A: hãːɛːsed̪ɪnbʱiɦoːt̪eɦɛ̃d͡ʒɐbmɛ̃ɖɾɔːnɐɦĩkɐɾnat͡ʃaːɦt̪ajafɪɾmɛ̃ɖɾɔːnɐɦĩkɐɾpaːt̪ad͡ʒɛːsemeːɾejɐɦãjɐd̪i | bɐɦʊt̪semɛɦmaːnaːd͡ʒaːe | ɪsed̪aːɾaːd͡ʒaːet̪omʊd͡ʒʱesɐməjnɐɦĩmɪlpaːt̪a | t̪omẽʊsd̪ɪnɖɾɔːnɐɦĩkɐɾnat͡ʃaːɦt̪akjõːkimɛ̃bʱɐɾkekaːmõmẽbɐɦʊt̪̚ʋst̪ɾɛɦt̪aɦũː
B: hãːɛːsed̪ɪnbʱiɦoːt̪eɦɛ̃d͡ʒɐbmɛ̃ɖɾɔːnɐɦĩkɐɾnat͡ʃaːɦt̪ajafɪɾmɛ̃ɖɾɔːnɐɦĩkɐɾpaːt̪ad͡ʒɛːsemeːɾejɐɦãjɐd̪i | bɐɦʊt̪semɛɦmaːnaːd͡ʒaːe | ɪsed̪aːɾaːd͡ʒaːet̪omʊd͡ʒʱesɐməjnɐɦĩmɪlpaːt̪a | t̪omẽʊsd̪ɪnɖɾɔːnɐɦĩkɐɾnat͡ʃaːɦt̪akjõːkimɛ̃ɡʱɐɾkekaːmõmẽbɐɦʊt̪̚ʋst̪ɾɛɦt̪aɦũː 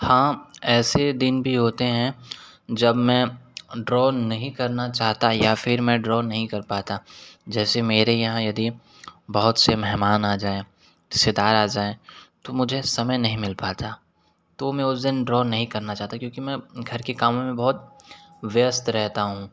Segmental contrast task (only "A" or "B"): B